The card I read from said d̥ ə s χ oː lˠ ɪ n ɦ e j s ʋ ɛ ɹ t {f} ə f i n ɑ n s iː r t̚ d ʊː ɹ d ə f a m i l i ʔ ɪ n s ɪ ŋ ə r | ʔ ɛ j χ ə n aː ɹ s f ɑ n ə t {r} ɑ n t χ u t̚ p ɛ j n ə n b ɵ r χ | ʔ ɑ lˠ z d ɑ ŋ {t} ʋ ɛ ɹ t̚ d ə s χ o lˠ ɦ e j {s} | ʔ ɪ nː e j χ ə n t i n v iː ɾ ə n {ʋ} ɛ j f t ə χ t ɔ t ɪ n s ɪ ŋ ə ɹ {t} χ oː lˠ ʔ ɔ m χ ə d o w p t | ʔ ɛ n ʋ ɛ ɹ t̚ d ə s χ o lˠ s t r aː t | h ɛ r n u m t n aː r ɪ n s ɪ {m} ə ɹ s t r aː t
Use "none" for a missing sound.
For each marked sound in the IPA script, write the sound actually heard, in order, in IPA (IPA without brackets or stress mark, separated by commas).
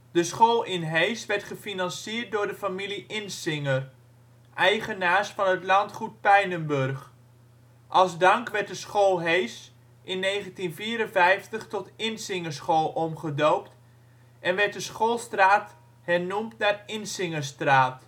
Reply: χ, l, k, s, v, s, ŋ